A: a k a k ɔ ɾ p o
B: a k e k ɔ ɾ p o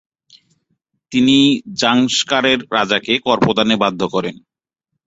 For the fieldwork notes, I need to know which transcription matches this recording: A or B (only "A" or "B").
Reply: B